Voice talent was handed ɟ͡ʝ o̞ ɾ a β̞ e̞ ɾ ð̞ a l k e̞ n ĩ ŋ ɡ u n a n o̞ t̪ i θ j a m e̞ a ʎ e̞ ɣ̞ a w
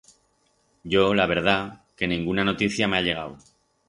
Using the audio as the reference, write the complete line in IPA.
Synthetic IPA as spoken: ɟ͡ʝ o̞ l a β̞ e̞ ɾ ð̞ a k e̞ n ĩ ŋ ɡ u n a n o̞ t̪ i θ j a m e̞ a ʎ e̞ ɣ̞ a w